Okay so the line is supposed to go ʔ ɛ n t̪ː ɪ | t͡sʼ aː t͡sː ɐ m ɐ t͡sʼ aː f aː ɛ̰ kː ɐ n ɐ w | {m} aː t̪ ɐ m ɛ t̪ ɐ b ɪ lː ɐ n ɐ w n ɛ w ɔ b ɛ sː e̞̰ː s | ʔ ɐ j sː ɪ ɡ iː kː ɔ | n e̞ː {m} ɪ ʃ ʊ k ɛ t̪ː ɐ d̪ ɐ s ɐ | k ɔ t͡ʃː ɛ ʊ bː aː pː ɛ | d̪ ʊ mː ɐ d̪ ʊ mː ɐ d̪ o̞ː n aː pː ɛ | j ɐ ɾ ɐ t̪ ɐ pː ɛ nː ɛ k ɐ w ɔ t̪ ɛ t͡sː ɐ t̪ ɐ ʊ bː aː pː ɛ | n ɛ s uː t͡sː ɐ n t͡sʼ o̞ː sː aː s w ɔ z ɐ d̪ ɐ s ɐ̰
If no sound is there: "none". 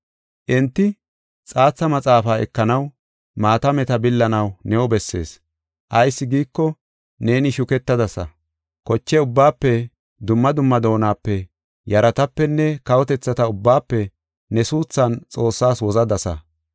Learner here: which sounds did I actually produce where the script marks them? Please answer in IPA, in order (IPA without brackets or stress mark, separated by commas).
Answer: m, n